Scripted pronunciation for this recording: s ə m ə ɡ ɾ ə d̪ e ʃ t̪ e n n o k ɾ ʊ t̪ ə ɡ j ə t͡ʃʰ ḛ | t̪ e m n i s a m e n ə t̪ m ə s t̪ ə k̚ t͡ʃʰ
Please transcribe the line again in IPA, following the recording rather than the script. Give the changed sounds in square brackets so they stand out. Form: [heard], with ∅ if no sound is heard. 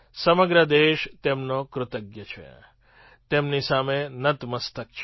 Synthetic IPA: s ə m ə ɡ ɾ ə d̪ e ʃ t̪ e [m] n o k ɾ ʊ t̪ ə ɡ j ə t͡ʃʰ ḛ | t̪ e m n i s a m e n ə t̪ m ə s t̪ ə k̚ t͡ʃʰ